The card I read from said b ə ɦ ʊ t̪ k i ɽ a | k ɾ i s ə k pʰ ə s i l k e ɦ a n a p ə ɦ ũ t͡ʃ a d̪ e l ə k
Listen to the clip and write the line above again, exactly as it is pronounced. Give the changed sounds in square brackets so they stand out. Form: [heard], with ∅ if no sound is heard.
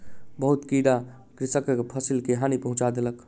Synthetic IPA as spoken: b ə ɦ [u] t̪ k i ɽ a | k ɾ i s ə k pʰ ə s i l k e ɦ a n [i] p ə ɦ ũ t͡ʃ a d̪ e l ə k